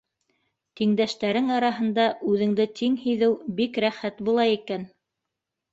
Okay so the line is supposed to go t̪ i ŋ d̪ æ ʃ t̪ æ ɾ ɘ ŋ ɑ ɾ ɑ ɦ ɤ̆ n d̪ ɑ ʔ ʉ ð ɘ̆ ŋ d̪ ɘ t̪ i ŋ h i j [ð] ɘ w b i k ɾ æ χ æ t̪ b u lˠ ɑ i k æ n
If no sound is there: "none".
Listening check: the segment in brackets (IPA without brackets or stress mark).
ð